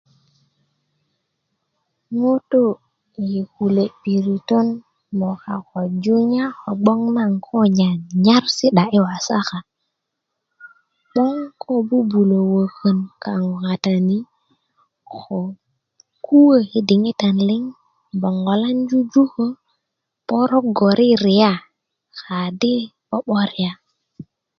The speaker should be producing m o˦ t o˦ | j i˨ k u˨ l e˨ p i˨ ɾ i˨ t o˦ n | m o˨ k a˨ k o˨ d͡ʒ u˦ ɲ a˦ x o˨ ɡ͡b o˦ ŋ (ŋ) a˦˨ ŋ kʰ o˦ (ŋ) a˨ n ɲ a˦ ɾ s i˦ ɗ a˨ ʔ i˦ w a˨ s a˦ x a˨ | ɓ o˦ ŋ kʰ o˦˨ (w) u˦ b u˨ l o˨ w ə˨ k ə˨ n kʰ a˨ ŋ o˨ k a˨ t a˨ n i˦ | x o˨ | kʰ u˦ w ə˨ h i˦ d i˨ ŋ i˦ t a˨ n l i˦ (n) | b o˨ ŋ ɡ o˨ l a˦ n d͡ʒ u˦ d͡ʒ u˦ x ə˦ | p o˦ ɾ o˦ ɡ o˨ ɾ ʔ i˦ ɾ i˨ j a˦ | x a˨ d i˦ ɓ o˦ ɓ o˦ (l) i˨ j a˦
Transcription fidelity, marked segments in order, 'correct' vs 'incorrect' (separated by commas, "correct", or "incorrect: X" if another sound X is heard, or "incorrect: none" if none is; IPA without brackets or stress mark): incorrect: n, incorrect: ɲ, incorrect: b, incorrect: ŋ, incorrect: ɾ